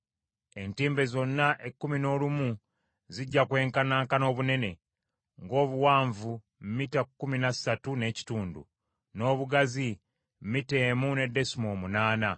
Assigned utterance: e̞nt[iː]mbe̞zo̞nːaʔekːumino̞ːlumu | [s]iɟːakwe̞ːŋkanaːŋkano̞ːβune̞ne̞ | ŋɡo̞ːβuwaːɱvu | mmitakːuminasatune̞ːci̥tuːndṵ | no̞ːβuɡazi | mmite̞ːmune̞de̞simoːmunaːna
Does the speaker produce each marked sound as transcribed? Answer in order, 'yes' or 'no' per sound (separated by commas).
yes, no